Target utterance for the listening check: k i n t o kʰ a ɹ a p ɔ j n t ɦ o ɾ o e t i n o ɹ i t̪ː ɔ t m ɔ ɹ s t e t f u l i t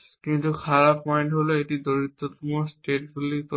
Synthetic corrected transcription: k i n t u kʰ a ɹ a p ɔ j n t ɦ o l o e t i d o ɹ i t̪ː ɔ t m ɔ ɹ s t e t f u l i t